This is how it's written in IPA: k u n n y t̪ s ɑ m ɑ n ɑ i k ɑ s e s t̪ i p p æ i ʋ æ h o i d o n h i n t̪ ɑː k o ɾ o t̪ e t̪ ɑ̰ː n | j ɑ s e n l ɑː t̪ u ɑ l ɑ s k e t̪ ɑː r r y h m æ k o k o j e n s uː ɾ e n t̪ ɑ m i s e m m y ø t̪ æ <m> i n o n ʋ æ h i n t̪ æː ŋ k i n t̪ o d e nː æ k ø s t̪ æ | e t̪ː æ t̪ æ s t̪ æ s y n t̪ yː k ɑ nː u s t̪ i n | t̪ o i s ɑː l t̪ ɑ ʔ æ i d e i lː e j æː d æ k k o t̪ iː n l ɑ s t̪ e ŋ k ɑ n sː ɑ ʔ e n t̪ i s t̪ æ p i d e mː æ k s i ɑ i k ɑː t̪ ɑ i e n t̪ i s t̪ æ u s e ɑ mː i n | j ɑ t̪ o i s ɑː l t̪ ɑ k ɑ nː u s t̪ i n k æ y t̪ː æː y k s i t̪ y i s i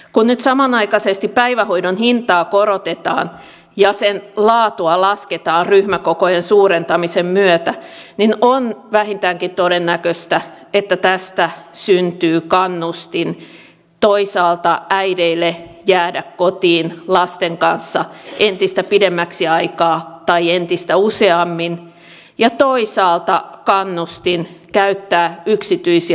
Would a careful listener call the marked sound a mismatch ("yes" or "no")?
yes